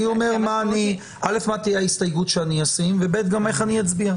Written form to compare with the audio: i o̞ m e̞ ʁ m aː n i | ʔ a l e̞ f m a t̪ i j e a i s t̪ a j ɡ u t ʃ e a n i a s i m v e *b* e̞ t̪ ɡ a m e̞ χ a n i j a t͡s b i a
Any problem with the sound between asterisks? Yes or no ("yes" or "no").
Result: no